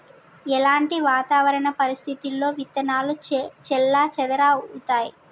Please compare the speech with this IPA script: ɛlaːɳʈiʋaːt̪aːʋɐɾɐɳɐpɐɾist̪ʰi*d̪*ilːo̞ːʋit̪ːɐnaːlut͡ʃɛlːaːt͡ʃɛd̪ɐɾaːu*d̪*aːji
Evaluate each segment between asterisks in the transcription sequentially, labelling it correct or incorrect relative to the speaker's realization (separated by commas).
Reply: incorrect, incorrect